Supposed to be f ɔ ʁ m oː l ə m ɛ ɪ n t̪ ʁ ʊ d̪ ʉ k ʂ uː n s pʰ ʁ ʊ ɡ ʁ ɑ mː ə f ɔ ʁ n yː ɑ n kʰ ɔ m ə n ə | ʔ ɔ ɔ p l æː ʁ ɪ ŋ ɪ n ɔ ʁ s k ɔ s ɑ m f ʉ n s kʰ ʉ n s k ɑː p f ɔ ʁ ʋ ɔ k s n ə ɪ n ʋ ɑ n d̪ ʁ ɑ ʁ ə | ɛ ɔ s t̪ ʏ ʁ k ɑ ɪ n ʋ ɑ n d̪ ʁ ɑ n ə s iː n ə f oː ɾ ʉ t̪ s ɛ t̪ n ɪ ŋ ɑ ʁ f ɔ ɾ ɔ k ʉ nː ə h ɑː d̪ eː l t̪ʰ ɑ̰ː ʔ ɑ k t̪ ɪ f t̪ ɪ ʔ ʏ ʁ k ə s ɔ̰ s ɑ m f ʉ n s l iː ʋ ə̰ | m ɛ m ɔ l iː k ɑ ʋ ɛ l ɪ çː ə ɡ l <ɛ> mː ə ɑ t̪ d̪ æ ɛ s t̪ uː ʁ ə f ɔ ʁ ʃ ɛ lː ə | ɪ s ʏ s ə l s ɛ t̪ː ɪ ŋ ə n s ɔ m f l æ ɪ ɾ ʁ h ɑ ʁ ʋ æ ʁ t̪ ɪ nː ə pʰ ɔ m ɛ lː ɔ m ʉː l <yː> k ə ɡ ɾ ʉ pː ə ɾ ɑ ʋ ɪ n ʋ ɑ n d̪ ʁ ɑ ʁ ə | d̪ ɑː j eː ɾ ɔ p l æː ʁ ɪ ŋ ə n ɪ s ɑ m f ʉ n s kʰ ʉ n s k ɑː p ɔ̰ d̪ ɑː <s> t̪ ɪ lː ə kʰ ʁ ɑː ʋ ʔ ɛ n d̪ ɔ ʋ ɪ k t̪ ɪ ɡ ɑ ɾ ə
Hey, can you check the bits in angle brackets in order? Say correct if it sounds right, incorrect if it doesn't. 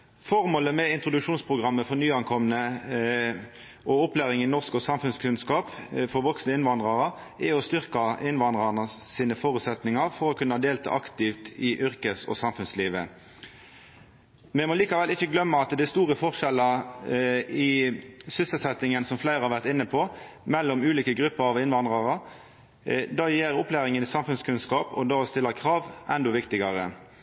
incorrect: œ, incorrect: iː, correct

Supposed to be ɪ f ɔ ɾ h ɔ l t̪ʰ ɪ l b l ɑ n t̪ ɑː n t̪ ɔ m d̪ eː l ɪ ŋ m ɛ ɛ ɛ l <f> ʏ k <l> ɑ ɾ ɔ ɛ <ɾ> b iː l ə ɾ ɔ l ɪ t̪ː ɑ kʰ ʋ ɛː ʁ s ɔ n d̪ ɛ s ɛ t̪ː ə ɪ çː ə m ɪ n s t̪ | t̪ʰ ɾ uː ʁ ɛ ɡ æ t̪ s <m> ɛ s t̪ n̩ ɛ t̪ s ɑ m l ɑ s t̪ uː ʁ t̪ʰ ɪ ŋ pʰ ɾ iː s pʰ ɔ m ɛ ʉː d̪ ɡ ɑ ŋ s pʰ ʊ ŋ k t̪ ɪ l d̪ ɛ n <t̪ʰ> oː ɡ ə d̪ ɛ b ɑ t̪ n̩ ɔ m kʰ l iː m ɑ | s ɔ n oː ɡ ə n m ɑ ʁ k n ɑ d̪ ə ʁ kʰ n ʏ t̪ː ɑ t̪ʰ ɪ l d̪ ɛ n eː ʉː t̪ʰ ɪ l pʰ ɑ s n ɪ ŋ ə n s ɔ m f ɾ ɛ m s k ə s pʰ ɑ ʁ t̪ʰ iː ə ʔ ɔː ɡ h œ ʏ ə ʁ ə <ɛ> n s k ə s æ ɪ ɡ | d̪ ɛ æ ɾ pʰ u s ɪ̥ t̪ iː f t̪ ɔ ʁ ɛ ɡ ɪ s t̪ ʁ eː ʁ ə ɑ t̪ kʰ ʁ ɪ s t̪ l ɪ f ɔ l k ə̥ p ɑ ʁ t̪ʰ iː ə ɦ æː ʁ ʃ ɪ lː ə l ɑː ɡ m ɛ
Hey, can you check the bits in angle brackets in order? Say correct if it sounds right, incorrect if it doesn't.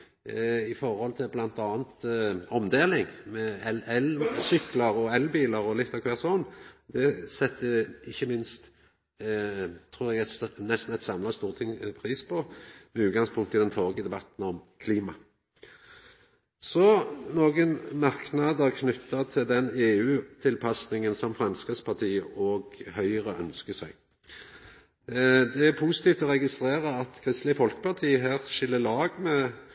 incorrect: s, correct, incorrect: l, incorrect: n, correct, incorrect: œ

